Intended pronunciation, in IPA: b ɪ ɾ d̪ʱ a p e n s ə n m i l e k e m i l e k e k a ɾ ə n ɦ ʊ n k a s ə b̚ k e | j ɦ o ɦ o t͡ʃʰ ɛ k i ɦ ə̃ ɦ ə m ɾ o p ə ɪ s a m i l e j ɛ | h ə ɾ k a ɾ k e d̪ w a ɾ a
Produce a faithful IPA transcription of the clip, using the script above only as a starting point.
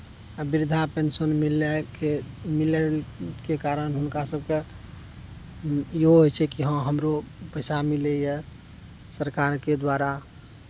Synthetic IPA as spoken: b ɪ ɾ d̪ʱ a p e n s ə n m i l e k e m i l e k e k a ɾ ə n ɦ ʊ n k a s ə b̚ k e | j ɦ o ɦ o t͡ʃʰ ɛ k i ɦ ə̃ ɦ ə m ɾ o p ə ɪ s a m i l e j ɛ | s ə ɾ k a ɾ k e d̪ w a ɾ a